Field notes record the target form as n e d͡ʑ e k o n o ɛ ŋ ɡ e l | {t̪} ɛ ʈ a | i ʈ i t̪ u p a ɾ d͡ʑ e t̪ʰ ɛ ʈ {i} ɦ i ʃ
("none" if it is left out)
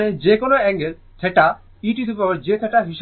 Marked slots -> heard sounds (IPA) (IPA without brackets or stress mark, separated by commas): t̪ʰ, a